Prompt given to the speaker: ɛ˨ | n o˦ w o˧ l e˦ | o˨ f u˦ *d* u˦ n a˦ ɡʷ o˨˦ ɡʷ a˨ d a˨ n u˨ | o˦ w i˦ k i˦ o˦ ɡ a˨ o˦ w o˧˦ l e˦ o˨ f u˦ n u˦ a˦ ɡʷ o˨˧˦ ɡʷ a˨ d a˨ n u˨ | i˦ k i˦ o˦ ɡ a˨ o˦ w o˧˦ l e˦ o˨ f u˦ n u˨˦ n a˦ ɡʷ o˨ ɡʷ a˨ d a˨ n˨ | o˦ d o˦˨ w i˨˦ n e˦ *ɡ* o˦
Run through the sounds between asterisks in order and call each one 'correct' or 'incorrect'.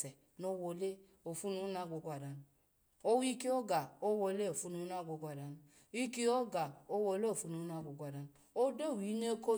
incorrect: n, incorrect: k

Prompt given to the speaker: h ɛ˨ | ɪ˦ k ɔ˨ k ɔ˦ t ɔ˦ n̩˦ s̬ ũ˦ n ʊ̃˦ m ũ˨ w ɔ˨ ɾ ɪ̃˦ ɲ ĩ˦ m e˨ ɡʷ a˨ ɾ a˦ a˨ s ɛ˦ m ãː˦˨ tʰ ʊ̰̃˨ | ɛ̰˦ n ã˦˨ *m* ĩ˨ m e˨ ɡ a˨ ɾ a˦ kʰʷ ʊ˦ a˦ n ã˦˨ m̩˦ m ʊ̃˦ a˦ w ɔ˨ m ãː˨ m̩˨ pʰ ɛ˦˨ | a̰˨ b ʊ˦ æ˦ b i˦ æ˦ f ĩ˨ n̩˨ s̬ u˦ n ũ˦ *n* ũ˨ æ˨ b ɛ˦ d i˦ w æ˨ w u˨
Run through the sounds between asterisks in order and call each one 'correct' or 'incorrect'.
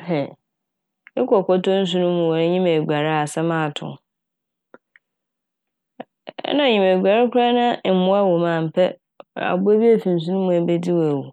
incorrect: ɲ, incorrect: m

